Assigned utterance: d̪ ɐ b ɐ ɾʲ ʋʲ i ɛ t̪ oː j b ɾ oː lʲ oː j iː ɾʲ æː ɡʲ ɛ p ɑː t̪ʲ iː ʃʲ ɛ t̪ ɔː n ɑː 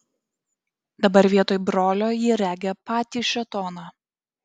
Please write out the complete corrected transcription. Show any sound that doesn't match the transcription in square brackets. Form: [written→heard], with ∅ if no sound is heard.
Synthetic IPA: d̪ ɐ b ɐ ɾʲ ʋʲ i ɛ t̪ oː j b ɾ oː lʲ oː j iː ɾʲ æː ɡʲ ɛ p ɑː t̪ʲ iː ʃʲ ɛ t̪ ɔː n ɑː